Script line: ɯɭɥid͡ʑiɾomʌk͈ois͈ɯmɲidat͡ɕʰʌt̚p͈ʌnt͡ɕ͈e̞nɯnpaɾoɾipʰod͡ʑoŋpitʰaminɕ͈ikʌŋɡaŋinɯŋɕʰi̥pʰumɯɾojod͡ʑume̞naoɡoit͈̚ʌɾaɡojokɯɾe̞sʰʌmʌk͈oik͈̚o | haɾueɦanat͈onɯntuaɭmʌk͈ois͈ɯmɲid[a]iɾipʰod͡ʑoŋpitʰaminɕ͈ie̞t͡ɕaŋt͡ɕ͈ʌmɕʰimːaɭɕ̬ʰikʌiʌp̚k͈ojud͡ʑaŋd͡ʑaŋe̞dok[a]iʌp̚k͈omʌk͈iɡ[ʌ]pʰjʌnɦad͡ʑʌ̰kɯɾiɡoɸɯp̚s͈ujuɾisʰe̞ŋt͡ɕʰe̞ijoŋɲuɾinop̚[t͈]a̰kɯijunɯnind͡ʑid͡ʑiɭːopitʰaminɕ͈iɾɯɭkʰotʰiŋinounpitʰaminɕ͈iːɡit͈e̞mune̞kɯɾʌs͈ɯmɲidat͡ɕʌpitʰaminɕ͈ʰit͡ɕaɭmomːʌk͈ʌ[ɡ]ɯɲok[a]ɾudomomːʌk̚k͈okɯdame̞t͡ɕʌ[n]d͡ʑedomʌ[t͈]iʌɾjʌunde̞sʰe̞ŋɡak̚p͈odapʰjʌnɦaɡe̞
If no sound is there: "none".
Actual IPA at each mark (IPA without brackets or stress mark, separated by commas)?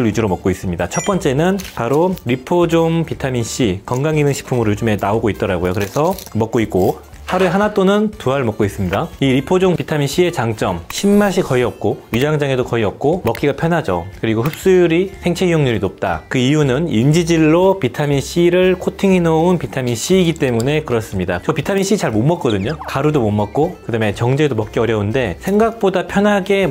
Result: a, ʌ, a, t͈, d, a, ŋ, k͈